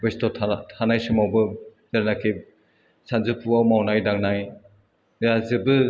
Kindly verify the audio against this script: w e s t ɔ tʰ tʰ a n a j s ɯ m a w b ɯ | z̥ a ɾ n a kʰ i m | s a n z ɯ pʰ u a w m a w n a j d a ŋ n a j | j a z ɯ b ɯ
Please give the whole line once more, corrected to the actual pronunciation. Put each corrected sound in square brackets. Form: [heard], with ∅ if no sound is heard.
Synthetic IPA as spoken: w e s t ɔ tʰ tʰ a n a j s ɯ m a w b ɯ | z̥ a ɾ n a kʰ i [∅] | s a n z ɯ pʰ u a w m a w n a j d a ŋ n a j | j a z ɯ b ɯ